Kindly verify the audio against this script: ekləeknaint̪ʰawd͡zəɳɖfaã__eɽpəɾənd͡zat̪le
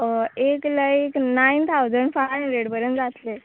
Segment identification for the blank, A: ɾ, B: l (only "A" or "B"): A